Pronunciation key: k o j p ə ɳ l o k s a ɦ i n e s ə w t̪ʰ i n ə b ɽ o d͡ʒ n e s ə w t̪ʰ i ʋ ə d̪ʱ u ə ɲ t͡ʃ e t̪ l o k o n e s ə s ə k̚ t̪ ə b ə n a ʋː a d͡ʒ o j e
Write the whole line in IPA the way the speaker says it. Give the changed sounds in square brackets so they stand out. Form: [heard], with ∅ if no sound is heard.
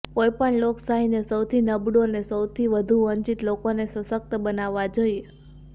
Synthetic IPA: k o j p ə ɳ l o k s a ɦ i n e s ə w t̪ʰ i n ə b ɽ o [∅] n e s ə w t̪ʰ i ʋ ə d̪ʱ u ə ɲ t͡ʃ [i] t̪ l o k o n e s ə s ə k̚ t̪ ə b ə n a ʋː a d͡ʒ o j e